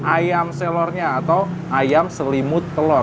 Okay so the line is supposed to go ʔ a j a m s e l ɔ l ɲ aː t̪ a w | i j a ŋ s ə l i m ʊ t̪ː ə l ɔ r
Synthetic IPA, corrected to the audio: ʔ a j a m s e l ɔ r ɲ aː t̪ a w | a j a m s ə l i m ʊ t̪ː ə l ɔ r